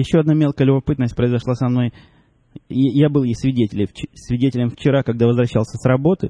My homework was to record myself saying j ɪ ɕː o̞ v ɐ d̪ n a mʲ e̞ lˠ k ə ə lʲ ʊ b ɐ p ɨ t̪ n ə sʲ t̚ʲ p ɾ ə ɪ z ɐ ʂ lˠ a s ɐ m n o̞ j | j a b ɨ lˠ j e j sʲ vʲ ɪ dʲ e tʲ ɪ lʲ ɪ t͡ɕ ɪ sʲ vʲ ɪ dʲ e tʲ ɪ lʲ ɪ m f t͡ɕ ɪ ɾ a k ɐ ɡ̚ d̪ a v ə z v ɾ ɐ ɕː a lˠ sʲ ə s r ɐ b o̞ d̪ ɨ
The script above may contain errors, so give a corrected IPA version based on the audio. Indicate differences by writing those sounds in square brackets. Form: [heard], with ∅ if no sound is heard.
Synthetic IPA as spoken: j ɪ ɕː o̞ [∅] ɐ d̪ n a mʲ e̞ lˠ k ə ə lʲ ʊ b ɐ p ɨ t̪ n ə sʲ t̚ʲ p ɾ ə ɪ z ɐ ʂ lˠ a s ɐ m n o̞ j | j a b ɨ lˠ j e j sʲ vʲ ɪ dʲ e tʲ ɪ lʲ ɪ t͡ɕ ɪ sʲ vʲ ɪ dʲ e tʲ ɪ lʲ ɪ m f t͡ɕ ɪ ɾ a k ɐ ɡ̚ d̪ a v ə z v ɾ ɐ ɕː a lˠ sʲ ə s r ɐ b o̞ [t̪] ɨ